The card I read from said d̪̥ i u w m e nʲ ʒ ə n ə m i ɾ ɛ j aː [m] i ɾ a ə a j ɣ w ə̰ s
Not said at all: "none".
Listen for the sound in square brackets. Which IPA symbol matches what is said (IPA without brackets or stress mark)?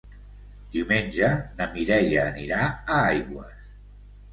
n